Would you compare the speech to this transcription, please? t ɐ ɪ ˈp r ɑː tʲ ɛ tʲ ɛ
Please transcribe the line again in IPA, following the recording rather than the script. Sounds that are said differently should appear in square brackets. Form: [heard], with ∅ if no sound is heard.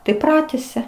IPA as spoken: t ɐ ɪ ˈp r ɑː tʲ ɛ [sʲ] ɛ